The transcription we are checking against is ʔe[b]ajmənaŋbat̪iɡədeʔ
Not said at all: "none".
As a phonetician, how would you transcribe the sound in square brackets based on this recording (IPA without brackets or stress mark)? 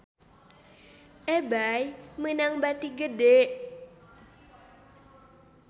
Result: b